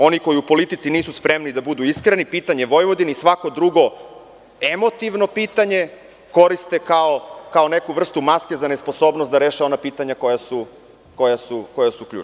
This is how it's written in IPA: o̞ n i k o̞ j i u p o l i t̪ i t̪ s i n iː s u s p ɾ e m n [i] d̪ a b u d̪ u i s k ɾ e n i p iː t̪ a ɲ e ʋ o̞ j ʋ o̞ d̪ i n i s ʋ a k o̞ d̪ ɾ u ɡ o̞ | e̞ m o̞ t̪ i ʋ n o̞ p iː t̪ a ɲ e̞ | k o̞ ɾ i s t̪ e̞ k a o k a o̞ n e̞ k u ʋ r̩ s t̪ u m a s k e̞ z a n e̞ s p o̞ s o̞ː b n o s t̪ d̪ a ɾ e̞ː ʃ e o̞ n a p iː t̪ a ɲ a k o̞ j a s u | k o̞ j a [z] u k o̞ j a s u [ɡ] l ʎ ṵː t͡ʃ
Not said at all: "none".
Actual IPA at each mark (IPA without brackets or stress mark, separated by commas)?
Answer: i, s, k